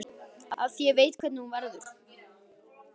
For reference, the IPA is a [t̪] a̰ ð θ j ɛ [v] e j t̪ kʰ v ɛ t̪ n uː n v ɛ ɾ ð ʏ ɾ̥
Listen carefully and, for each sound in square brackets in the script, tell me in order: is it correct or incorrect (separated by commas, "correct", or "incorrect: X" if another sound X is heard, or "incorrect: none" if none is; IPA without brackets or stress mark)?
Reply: incorrect: none, correct